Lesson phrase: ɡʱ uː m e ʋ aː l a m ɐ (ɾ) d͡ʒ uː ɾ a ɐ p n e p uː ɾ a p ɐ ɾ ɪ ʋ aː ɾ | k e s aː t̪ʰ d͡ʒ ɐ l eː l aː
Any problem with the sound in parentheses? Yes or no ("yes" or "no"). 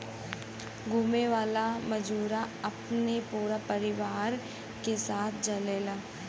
yes